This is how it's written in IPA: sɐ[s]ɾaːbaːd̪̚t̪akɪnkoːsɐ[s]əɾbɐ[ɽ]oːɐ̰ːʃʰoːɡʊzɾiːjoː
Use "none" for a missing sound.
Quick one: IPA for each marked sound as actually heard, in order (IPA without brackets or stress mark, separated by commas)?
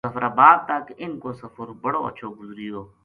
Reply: f, f, ɽ